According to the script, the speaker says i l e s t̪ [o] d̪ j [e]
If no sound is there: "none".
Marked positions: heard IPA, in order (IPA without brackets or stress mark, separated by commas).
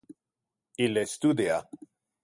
u, a